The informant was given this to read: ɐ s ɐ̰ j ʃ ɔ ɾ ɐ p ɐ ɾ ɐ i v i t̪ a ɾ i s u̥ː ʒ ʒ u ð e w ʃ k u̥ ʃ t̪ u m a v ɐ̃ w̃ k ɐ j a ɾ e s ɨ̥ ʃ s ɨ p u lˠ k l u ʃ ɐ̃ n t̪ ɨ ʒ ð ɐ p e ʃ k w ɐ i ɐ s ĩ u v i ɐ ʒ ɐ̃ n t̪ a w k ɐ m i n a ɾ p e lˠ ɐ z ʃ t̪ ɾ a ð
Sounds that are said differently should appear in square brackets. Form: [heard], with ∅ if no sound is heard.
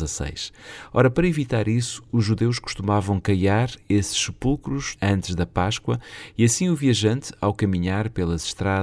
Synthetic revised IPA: ɐ s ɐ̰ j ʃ ɔ ɾ ɐ p ɐ ɾ ɐ i v i t̪ a ɾ i s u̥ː ʒ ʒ u ð e w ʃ k u̥ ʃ t̪ u m a v ɐ̃ w̃ k ɐ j a ɾ e s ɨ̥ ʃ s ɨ p u lˠ k [ɾ] u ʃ ɐ̃ n t̪ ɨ ʒ ð ɐ p [a] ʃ k w ɐ i ɐ s ĩ u v i ɐ ʒ ɐ̃ n t̪ a w k ɐ m i [ɲ] a ɾ p e lˠ ɐ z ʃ t̪ ɾ a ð